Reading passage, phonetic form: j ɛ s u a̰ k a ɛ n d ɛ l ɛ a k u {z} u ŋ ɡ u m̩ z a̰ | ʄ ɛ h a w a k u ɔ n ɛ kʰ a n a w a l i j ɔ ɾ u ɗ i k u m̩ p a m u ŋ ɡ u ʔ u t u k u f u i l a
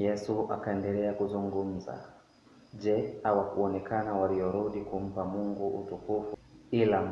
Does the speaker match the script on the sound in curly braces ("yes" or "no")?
yes